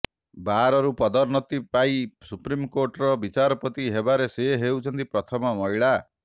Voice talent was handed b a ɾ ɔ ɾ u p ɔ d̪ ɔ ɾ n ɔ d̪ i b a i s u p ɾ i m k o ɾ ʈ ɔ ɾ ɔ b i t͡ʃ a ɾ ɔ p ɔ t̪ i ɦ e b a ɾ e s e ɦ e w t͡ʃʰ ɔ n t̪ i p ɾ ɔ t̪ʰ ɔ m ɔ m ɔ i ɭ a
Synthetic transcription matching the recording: b a ɾ ɔ ɾ u p ɔ d̪ ɔ ɾ n ɔ t̪ i p a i s u p ɾ i m k o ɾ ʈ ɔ ɾ ɔ b i t͡ʃ a ɾ ɔ p ɔ t̪ i ɦ e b a ɾ e s e ɦ e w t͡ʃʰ ɔ n t̪ i p ɾ ɔ t̪ʰ ɔ m ɔ m ɔ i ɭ a

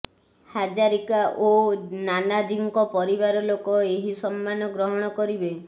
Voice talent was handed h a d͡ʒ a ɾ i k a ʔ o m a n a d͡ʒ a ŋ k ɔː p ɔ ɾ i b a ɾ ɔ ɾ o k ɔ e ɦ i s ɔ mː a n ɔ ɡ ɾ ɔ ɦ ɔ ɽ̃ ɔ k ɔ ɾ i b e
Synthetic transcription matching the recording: h a d͡ʒ a ɾ i k a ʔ o n a n a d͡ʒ i ŋ k ɔ p ɔ ɾ i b a ɾ ɔ l o k ɔ e ɦ i s ɔ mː a n ɔ ɡ ɾ ɔ ɦ ɔ ɽ̃ ɔ k ɔ ɾ i b e

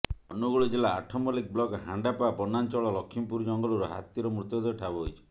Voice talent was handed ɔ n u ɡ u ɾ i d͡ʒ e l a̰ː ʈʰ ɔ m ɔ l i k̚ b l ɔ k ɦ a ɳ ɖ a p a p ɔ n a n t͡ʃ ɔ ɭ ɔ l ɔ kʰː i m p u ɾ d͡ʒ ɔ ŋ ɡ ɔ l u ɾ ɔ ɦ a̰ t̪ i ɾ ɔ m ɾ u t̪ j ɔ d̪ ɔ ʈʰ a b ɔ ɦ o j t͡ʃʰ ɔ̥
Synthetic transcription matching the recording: ɔ n u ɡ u ɭ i d͡ʒ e l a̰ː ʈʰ ɔ m ɔ l i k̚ b l ɔ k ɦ a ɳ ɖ a p a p ɔ n a n t͡ʃ ɔ ɭ ɔ l ɔ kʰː i m p u ɾ d͡ʒ ɔ ŋ ɡ ɔ l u ɾ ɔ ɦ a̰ t̪ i ɾ ɔ m ɾ u t̪ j ɔ d̪ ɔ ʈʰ a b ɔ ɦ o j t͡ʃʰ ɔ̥

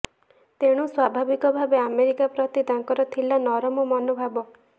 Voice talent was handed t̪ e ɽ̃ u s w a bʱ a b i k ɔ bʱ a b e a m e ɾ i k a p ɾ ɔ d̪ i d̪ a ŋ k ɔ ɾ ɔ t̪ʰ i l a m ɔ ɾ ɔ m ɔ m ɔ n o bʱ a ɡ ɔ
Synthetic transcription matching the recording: t̪ e ɽ̃ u s w a bʱ a b i k ɔ bʱ a b e a m e ɾ i k a p ɾ ɔ t̪ i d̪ a ŋ k ɔ ɾ ɔ t̪ʰ i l a n ɔ ɾ ɔ m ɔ m ɔ n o bʱ a b ɔ

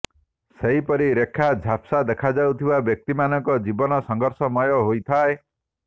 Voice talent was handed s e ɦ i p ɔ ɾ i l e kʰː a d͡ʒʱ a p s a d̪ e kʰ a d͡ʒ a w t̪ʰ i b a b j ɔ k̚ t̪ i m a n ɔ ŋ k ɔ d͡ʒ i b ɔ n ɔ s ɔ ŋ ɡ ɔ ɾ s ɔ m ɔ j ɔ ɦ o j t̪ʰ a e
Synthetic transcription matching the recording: s e ɦ i p ɔ ɾ i ɾ e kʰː a d͡ʒʱ a p s a d̪ e kʰ a d͡ʒ a w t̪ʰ i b a b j ɔ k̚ t̪ i m a n ɔ ŋ k ɔ d͡ʒ i b ɔ n ɔ s ɔ ŋ ɡ ɔ ɾ s ɔ m ɔ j ɔ ɦ o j t̪ʰ a e

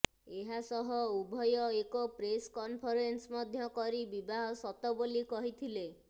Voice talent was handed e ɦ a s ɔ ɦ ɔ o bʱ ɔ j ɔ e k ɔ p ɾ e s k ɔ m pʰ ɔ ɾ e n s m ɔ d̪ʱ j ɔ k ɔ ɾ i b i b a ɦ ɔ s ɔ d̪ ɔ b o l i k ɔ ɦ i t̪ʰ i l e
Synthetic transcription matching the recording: e ɦ a s ɔ ɦ ɔ u bʱ ɔ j ɔ e k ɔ p ɾ e s k ɔ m pʰ ɔ ɾ e n s m ɔ d̪ʱ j ɔ k ɔ ɾ i b i b a ɦ ɔ s ɔ t̪ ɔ b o l i k ɔ ɦ i t̪ʰ i l e

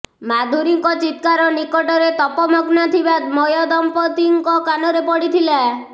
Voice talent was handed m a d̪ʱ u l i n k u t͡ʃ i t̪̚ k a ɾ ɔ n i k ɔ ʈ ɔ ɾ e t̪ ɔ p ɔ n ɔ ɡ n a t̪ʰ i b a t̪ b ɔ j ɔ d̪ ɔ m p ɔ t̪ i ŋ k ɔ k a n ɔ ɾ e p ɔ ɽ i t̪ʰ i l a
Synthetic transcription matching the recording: m a d̪ʱ u ɾ i ŋ k ɔ t͡ʃ i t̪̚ k a ɾ ɔ n i k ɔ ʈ ɔ ɾ e t̪ ɔ p ɔ m ɔ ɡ n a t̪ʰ i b a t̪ m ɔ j ɔ d̪ ɔ m p ɔ t̪ i ŋ k ɔ k a n ɔ ɾ e p ɔ ɽ i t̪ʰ i l a

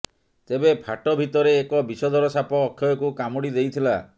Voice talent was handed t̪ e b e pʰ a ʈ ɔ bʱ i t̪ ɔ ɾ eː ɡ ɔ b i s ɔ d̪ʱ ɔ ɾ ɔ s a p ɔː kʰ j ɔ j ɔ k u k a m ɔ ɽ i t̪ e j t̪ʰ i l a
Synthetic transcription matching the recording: t̪ e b e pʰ a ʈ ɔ bʱ i t̪ ɔ ɾ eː k ɔ b i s ɔ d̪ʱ ɔ ɾ ɔ s a p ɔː kʰ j ɔ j ɔ k u k a m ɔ ɽ i d̪ e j t̪ʰ i l a

